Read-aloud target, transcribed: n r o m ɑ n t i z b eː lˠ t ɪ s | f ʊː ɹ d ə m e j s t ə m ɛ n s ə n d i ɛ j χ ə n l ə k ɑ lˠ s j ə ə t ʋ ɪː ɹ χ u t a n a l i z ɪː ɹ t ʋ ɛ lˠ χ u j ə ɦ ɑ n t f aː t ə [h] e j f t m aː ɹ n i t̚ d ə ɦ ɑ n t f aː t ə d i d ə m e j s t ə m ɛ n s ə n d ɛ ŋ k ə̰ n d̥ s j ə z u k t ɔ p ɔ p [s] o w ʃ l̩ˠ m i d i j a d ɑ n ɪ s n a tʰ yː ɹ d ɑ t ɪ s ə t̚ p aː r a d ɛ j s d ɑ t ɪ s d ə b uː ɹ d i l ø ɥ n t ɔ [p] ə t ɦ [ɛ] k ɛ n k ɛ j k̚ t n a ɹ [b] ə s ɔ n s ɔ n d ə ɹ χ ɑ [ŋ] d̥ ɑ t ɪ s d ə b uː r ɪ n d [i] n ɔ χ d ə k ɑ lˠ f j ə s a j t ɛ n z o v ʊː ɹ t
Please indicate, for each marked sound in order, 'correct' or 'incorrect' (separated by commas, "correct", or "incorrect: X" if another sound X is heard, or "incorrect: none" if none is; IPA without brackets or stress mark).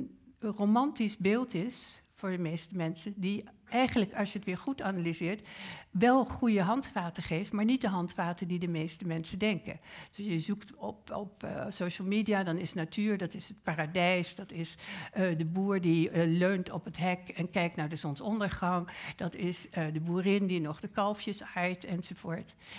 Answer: incorrect: χ, correct, correct, correct, incorrect: d, correct, correct